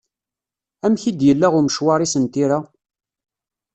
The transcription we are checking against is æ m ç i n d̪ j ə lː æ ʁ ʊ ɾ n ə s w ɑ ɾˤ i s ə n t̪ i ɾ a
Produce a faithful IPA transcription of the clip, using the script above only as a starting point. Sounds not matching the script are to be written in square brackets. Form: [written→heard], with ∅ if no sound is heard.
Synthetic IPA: æ m ç i [n→∅] d̪ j ə lː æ ʁ ʊ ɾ [n→m] ə [s→ʃ] w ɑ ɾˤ i s ə n t̪ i ɾ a

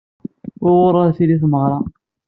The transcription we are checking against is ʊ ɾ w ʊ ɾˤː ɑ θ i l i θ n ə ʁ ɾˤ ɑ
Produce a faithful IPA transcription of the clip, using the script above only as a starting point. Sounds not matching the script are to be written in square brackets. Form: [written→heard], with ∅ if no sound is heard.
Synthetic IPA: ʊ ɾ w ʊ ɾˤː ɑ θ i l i θ [n→m] ə ʁ ɾˤ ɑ

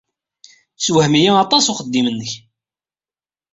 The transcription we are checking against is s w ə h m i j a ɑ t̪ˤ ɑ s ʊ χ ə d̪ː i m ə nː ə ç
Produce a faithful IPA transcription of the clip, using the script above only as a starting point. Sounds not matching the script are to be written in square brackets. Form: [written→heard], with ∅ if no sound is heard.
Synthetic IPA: s w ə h m i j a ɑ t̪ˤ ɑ s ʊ χ ə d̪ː i m ə nː ə ç

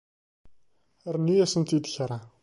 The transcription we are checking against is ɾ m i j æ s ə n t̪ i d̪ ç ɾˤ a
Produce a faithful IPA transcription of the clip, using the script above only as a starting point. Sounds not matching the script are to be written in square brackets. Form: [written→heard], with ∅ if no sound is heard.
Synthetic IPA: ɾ [m→n] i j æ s ə n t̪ i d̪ ç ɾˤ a

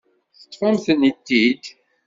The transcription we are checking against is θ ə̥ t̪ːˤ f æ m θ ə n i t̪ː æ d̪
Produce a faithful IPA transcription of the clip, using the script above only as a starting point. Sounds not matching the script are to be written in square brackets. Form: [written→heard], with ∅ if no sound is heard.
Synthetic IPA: θ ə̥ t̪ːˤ f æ m θ ə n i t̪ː [æ→i] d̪

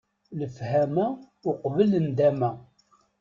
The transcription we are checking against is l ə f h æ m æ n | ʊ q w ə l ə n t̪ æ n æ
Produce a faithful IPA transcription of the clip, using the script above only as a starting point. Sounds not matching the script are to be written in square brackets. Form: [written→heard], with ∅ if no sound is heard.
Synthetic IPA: l ə f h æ m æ [n→∅] | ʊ q [w→v] ə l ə n [t̪→d̪] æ [n→m] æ

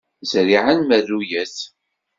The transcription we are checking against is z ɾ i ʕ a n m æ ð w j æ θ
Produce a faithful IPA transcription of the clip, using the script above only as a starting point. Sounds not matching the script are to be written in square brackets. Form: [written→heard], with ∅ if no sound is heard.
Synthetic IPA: z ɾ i ʕ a n m æ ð [w→u] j æ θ

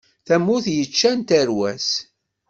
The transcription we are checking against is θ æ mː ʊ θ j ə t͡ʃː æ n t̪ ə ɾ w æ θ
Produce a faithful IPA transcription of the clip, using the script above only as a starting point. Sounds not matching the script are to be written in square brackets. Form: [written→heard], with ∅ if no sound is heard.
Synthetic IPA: θ æ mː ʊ θ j ə t͡ʃː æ n t̪ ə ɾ w æ [θ→s]

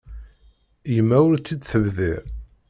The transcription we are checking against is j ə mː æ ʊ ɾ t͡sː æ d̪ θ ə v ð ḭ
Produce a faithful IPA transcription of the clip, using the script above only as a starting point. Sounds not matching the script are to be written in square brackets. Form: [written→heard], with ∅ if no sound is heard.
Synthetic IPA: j ə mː æ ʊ ɾ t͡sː [æ→i] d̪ θ ə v ð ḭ

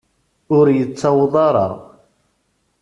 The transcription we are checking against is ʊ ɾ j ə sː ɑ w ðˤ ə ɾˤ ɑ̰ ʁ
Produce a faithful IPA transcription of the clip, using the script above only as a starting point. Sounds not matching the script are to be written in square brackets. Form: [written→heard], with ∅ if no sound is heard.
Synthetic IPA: ʊ ɾ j ə [sː→t͡sː] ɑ w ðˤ [ə→ɑ] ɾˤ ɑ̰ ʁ

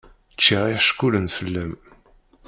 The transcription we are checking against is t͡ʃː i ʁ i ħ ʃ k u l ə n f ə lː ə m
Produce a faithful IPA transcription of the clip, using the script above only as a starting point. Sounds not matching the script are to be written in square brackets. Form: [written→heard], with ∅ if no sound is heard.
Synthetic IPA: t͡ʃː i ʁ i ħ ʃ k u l ə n f ə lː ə m

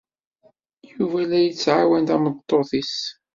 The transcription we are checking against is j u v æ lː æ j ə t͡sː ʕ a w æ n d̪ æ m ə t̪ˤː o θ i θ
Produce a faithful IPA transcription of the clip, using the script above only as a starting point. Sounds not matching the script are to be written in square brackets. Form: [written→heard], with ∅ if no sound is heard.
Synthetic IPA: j u v æ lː æ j ə t͡sː ʕ a w æ n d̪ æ m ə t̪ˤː o θ i [θ→s]

